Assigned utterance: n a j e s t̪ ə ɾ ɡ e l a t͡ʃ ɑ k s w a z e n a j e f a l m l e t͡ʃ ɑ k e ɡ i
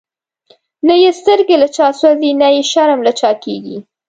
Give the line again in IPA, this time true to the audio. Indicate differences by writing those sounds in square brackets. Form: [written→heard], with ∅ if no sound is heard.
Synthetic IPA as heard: n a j e s t̪ ə ɾ ɡ e l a t͡ʃ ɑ [k→∅] s w a z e n a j e [f→ʃ] a [l→ɾ] m l [e→a] t͡ʃ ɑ k e ɡ i